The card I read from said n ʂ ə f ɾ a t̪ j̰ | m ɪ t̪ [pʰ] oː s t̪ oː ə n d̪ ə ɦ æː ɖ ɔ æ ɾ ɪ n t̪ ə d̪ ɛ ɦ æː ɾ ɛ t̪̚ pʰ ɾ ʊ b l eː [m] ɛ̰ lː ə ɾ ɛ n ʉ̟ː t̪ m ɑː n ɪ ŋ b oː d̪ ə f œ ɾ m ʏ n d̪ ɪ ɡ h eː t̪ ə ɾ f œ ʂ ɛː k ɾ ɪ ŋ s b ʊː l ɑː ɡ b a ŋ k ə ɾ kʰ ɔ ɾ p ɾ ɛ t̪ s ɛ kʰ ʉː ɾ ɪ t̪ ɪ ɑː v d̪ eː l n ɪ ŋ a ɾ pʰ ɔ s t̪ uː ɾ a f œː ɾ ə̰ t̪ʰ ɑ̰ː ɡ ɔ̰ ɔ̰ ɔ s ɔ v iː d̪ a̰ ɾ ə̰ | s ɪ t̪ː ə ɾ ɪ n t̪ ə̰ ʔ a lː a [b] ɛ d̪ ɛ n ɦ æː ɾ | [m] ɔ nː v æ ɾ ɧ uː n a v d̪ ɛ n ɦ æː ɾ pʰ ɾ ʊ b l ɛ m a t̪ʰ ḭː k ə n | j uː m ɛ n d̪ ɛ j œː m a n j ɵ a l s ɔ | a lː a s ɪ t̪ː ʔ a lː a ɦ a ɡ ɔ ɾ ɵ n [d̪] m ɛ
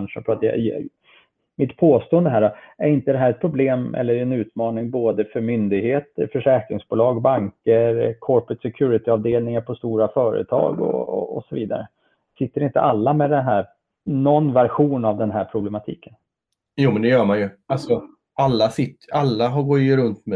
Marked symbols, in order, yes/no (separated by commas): yes, yes, no, no, no